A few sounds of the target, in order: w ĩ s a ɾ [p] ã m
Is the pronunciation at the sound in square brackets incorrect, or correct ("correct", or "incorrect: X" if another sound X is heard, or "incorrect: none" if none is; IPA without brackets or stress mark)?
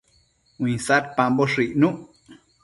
correct